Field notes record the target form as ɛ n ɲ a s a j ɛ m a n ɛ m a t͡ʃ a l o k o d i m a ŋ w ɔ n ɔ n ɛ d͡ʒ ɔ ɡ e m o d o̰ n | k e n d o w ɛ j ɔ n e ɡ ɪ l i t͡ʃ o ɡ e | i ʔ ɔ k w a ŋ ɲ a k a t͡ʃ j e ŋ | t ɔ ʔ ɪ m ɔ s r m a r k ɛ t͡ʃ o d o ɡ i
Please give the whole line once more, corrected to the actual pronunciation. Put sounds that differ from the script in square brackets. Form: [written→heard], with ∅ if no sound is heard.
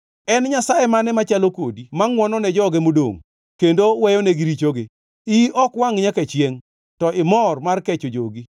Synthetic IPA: ɛ n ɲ a s a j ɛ m a n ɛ m a t͡ʃ a l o k o d i m a ŋ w ɔ n ɔ n ɛ d͡ʒ ɔ ɡ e m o d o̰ [n→ŋ] | k e n d o w ɛ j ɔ n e ɡ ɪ [l→ɾ] i t͡ʃ o ɡ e | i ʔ ɔ k w a ŋ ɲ a k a t͡ʃ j e ŋ | t ɔ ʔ ɪ m ɔ [s→∅] r m a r k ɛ t͡ʃ o [d→d͡ʒ] o ɡ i